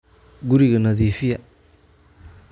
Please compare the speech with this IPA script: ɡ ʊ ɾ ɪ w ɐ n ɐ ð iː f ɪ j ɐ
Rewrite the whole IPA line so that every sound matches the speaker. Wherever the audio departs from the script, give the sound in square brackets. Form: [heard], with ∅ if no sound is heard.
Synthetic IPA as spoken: ɡ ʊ ɾ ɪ [ɣ] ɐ n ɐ ð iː f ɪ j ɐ

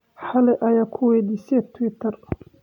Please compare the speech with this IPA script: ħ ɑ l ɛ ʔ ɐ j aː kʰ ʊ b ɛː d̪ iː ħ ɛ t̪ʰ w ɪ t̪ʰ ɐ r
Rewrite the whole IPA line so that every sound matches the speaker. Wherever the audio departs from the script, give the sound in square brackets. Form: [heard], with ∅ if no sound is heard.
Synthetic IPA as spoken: ħ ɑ l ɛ ʔ ɐ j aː kʰ ʊ [w] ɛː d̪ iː [s] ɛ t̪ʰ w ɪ t̪ʰ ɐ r

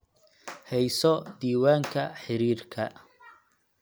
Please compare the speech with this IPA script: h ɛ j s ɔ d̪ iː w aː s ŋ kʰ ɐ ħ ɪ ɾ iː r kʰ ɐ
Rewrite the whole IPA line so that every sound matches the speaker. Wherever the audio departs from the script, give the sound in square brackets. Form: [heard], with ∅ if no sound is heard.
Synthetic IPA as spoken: h ɛ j s ɔ d̪ iː w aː [∅] ŋ kʰ ɐ ħ ɪ ɾ iː r kʰ ɐ

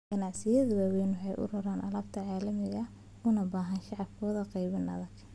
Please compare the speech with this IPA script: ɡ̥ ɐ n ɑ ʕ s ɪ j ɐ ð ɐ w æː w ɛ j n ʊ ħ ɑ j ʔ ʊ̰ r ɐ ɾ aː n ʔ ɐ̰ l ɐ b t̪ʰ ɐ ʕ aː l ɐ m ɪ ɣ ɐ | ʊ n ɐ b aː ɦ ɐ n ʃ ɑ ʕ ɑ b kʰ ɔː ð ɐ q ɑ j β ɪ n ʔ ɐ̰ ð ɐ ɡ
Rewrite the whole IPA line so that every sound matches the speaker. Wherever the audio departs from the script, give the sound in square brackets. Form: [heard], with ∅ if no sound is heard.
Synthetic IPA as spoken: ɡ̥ ɐ n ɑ ʕ s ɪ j ɐ ð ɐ w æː w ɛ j n ʊ ħ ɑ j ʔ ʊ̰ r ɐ ɾ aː n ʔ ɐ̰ l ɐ b t̪ʰ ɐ ʕ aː l ɐ m ɪ ɣ ɐ | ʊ n ɐ b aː ɦ ɐ n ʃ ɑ ʕ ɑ b kʰ ɔː ð ɐ q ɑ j β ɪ n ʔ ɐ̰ ð ɐ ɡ

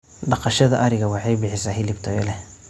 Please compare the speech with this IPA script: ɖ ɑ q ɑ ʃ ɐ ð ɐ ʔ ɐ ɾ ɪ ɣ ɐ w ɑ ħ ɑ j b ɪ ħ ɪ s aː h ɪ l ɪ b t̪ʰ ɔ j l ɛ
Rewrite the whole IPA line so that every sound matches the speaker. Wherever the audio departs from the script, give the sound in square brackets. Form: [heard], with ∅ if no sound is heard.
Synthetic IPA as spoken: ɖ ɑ q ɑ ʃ ɐ ð ɐ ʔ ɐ ɾ ɪ ɣ ɐ w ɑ ħ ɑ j b ɪ ħ ɪ s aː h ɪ l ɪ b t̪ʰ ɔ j l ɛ

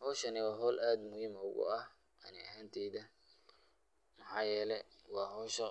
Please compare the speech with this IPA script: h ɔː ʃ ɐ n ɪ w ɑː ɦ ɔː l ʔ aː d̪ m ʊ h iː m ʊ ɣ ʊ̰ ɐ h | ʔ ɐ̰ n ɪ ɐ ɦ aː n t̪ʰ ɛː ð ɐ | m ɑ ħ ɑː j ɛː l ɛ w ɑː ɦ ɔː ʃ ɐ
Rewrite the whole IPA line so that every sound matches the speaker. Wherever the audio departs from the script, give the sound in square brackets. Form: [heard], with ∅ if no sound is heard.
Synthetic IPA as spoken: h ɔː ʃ ɐ n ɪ w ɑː ɦ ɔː l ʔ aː d̪ m ʊ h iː m ʊ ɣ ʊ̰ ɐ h | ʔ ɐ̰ n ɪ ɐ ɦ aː n t̪ʰ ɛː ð ɐ | m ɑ ħ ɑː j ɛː l ɛ w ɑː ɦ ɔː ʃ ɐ

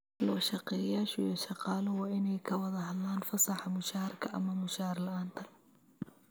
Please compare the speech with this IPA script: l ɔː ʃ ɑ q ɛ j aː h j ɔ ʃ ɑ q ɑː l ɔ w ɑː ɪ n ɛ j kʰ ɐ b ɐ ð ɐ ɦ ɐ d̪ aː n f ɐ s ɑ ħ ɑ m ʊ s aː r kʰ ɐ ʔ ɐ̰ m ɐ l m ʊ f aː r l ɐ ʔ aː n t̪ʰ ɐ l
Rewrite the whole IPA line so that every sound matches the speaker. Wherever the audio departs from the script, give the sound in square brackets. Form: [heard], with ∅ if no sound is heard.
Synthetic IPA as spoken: l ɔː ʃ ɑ q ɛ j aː [ʃ] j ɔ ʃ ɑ q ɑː l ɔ w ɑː ɪ n ɛ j kʰ ɐ [w] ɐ ð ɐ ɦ ɐ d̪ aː n f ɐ s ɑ ħ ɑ m ʊ [ʃ] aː r kʰ ɐ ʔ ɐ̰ m ɐ [∅] m ʊ [ʃ] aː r l ɐ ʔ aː n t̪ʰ ɐ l

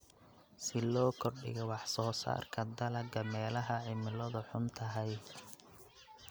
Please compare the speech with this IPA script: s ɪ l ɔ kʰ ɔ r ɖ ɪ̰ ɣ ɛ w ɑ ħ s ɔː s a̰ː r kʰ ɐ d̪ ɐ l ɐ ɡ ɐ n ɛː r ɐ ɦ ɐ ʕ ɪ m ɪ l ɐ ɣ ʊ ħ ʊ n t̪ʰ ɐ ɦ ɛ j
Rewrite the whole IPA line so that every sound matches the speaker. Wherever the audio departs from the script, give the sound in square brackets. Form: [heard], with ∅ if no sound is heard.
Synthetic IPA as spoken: s ɪ l [ɔː] kʰ ɔ r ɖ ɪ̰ ɣ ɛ w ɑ ħ s ɔː s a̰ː r kʰ ɐ d̪ ɐ l ɐ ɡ ɐ [m] ɛː [l] ɐ ɦ ɐ ʕ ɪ m ɪ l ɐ [ð] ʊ ħ ʊ n t̪ʰ ɐ ɦ ɛ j

